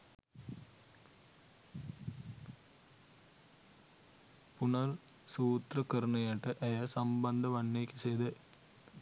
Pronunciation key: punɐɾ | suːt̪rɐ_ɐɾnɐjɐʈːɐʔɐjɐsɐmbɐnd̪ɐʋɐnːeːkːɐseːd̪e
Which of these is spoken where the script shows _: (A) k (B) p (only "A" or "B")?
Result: A